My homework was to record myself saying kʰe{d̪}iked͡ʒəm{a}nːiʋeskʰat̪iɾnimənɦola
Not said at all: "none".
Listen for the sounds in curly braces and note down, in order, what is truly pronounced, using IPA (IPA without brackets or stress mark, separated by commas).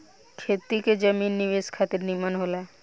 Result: t̪, i